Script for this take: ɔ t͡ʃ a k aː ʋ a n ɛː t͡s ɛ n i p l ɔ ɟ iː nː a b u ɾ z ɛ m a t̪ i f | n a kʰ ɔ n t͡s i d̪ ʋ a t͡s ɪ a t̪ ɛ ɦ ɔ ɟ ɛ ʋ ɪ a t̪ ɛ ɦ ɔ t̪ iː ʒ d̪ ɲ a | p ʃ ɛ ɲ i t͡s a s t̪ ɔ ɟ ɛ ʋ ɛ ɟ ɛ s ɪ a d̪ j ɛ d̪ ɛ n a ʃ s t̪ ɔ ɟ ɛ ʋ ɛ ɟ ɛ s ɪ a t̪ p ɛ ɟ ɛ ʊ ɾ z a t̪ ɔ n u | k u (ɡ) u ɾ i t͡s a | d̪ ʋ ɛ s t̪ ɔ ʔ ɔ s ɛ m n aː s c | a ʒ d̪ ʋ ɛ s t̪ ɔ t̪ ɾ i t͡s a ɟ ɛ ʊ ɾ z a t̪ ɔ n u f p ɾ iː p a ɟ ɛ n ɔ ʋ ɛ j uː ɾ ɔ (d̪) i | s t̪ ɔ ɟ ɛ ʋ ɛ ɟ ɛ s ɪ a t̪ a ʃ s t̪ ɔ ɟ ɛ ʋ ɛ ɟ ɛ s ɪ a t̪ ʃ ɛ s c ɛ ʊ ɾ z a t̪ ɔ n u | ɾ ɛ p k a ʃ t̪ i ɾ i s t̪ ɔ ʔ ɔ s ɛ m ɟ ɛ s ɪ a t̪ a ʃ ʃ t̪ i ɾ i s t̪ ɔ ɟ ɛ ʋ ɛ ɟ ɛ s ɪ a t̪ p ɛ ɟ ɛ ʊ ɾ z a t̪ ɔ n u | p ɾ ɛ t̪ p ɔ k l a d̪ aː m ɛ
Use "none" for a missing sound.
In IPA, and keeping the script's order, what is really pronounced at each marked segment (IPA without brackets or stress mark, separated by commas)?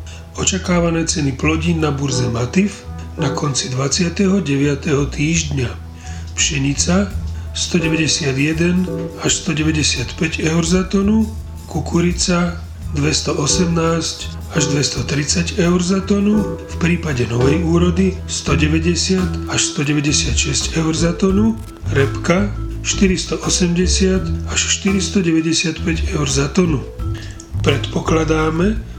k, d̪